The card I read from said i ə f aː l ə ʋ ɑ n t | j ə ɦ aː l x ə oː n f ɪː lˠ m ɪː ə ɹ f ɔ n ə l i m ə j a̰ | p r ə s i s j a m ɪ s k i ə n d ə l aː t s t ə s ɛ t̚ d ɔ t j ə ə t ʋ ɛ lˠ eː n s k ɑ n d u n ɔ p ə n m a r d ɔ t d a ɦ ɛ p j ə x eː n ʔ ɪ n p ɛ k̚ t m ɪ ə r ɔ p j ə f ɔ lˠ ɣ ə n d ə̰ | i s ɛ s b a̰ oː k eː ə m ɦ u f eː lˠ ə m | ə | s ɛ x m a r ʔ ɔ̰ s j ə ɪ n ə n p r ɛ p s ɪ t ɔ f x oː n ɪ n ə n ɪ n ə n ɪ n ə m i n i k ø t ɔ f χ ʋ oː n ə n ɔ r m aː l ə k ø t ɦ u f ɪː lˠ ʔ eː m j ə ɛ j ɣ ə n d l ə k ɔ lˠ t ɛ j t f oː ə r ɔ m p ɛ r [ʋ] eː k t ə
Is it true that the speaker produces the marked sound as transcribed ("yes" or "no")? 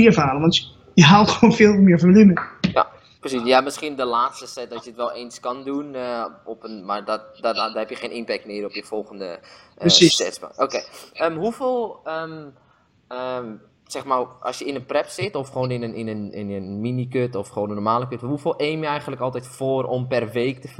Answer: yes